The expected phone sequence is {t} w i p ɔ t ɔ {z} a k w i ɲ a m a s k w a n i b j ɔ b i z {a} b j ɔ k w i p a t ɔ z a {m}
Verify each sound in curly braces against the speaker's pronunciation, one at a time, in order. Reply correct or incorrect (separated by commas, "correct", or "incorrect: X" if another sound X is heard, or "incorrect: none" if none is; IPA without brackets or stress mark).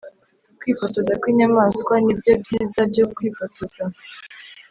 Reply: incorrect: k, correct, correct, incorrect: none